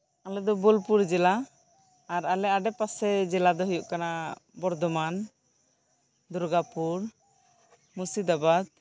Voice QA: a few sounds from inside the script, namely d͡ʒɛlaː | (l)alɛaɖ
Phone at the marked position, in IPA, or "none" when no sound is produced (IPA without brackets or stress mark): ɾ